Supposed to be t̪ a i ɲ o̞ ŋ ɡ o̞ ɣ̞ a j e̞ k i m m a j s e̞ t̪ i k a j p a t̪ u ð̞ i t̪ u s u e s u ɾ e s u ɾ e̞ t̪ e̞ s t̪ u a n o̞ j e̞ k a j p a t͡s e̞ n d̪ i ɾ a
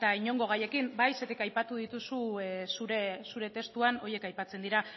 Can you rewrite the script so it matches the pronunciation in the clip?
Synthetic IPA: t̪ a i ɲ o̞ ŋ ɡ o̞ ɣ̞ a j e̞ k i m b a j s e̞ t̪ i k a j p a t̪ u ð̞ i t̪ u s u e s u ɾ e s u ɾ e̞ t̪ e̞ s t̪ u a n o̞ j e̞ k a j p a t͡s e̞ n d̪ i ɾ a